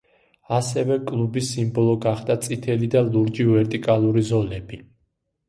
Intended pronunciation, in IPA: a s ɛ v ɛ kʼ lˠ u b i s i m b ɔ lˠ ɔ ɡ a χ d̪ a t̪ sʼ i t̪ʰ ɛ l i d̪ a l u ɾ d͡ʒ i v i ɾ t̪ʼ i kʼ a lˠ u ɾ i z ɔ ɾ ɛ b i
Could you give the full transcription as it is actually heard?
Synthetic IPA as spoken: a s ɛ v ɛ kʼ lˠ u b i s i m b ɔ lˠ ɔ ɡ a χ d̪ a t̪ sʼ i t̪ʰ ɛ l i d̪ a l u ɾ d͡ʒ i v ɛ ɾ t̪ʼ i kʼ a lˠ u ɾ i z ɔ l ɛ b i